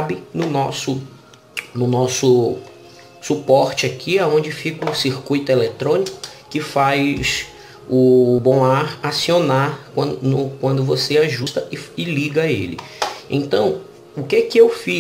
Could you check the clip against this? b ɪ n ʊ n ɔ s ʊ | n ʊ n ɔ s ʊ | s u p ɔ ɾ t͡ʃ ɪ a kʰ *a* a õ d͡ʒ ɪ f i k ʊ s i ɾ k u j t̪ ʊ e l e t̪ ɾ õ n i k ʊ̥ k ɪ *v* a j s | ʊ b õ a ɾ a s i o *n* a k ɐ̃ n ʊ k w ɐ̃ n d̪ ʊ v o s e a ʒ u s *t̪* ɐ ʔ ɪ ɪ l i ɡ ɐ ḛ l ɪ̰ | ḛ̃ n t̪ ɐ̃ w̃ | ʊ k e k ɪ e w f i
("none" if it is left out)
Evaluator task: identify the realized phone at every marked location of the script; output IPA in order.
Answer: i, f, n, t̪

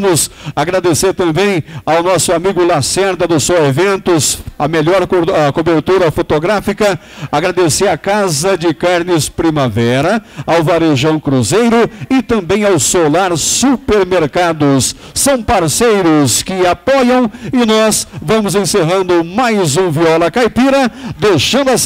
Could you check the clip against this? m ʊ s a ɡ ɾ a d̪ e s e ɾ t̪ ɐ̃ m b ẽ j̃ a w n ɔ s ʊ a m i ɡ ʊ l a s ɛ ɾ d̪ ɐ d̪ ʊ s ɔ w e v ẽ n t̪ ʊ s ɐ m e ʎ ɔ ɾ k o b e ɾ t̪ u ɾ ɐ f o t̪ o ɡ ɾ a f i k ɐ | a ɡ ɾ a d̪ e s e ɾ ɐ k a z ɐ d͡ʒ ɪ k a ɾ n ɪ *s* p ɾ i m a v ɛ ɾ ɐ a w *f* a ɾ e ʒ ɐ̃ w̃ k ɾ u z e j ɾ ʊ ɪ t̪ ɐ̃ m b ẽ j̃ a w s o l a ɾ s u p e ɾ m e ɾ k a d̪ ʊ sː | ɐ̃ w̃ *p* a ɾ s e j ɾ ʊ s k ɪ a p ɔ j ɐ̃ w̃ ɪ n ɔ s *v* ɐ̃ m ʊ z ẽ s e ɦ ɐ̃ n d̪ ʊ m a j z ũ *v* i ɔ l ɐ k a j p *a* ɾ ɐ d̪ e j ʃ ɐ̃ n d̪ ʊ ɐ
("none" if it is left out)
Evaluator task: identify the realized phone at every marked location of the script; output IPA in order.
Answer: s, v, p, v, v, i

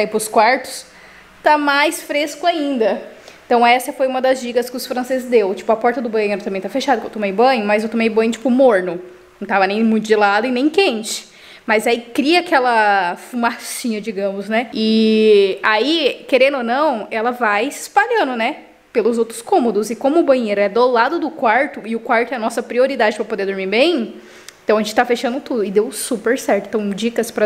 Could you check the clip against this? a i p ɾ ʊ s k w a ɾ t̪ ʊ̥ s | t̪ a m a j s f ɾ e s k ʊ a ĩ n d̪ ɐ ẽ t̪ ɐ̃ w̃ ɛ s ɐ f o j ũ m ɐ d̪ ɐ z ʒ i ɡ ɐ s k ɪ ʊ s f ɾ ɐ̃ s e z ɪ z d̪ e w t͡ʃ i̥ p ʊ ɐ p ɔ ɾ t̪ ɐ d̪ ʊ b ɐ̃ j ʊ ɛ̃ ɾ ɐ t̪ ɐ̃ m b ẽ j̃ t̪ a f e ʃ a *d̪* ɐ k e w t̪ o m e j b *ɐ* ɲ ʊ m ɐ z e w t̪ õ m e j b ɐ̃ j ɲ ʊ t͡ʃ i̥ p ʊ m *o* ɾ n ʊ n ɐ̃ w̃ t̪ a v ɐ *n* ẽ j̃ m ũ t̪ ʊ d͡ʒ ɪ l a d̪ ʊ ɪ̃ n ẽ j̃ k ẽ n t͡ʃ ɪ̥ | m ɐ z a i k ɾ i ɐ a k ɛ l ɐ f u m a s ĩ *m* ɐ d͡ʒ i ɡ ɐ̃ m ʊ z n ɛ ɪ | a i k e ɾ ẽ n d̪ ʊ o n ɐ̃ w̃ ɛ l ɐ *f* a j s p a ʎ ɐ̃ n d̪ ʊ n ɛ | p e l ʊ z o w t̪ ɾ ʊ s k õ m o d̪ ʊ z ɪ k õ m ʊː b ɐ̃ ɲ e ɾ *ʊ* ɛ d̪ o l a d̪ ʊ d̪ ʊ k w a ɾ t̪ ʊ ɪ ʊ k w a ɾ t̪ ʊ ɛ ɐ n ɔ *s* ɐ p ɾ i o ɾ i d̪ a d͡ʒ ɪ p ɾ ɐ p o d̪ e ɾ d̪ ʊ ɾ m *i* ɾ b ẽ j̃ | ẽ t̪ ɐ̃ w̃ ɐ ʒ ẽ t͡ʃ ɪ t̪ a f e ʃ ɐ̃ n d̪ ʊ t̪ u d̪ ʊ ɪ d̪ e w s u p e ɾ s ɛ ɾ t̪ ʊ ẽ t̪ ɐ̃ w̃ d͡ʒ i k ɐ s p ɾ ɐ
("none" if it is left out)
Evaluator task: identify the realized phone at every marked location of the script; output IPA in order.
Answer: d̪, ɐ̃, o, n, ɲ, v, ʊ, s, i

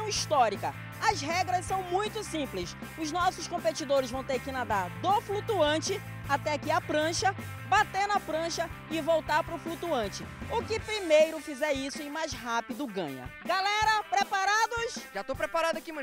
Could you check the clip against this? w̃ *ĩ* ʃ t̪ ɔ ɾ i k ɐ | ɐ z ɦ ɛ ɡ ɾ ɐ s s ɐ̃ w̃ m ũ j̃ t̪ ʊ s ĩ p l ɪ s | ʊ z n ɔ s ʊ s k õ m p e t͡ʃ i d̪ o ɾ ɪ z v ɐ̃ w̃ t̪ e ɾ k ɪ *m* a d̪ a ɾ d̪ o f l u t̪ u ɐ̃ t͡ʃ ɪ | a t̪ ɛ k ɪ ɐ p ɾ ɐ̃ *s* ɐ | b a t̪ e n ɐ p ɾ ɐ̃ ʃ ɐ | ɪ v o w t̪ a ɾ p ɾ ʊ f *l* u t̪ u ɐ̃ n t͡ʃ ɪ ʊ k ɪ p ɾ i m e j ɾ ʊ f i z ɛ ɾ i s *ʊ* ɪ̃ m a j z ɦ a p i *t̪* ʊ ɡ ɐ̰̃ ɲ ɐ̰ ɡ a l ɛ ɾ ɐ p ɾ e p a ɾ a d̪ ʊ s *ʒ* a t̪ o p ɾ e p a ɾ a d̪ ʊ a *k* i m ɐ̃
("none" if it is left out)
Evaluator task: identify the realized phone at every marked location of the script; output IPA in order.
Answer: i, n, ʃ, l, ʊ, d̪, ʒ, k

